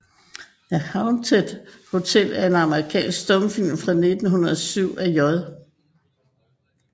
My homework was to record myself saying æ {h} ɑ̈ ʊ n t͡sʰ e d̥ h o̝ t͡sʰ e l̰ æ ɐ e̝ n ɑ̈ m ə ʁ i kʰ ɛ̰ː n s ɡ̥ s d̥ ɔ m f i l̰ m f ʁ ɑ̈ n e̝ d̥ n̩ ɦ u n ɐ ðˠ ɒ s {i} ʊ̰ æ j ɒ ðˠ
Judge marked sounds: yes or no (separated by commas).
yes, no